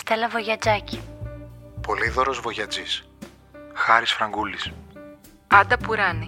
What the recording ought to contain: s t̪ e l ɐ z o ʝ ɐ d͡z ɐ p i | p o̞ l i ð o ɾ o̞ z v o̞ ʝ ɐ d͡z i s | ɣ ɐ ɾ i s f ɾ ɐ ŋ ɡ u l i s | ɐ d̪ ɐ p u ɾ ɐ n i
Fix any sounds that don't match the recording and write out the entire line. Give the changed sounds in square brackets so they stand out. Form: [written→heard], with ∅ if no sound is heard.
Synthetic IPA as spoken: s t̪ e l ɐ [z→v] o ʝ ɐ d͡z ɐ [p→c] i | p o̞ l i ð o ɾ o̞ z v o̞ ʝ ɐ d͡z i s | [ɣ→x] ɐ ɾ i s f ɾ ɐ ŋ ɡ u l i s | ɐ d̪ ɐ p u ɾ ɐ n i